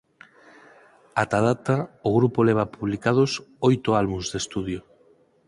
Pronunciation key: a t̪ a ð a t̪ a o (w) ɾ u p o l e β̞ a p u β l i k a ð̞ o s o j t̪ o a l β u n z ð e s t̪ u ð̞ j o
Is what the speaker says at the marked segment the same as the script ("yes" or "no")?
no